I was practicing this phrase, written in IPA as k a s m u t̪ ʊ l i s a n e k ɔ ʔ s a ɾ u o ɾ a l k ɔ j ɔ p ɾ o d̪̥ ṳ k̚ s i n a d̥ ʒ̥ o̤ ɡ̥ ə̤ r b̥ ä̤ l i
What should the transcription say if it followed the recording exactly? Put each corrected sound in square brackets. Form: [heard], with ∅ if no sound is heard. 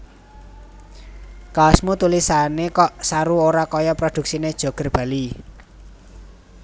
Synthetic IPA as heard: k a s m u t̪ [u] l i s a n e k ɔ ʔ s a ɾ u o ɾ a [∅] k ɔ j ɔ p ɾ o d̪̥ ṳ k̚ s i n [e] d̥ ʒ̥ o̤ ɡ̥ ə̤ r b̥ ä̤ l i